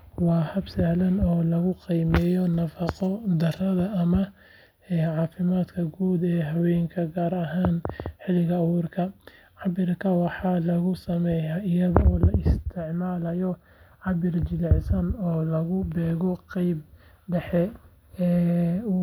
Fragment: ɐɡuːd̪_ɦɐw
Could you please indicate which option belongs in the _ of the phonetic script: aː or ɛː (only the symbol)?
ɛː